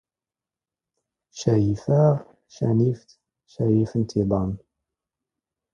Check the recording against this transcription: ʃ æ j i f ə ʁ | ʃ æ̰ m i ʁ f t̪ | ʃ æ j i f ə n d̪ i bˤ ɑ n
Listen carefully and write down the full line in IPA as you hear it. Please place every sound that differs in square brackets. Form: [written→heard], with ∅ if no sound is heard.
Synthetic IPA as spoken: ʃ æ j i f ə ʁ | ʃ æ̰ [m→n] i [ʁ→∅] f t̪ | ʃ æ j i f ə n [d̪→t̪] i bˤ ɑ n